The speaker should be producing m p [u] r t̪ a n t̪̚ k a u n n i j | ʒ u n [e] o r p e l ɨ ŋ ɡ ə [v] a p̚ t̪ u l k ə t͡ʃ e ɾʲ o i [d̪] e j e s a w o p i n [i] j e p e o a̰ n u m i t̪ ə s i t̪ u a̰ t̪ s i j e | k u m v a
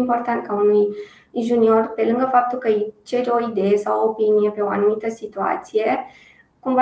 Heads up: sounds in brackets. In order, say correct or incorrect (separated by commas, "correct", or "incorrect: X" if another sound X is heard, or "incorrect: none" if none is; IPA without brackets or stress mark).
incorrect: o, incorrect: i, incorrect: f, correct, correct